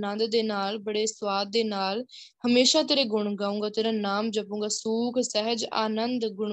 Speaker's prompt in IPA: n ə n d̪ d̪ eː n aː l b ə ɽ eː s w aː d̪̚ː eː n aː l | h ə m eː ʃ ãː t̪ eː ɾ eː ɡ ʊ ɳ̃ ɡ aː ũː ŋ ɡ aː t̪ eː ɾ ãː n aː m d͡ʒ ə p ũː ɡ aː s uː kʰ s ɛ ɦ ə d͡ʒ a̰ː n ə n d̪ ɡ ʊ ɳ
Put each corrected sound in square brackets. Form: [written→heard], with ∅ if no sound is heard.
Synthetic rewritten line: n ə n d̪ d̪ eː n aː l b ə ɽ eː s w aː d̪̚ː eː n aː l | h ə m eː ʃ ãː t̪ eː ɾ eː ɡ ʊ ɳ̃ ɡ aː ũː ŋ ɡ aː t̪ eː ɾ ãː n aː m d͡ʒ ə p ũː ɡ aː s uː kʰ s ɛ ɦ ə d͡ʒ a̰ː n ə n d̪ ɡ ʊ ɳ